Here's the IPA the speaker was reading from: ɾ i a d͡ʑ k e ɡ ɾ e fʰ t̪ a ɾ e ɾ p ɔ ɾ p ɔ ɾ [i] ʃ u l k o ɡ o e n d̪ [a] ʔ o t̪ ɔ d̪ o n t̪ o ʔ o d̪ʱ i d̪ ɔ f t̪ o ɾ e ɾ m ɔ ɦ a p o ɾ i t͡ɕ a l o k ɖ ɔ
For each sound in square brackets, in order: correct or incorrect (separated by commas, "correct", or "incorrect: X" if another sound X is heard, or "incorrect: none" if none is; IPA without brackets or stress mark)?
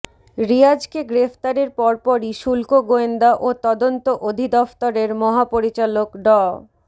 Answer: correct, correct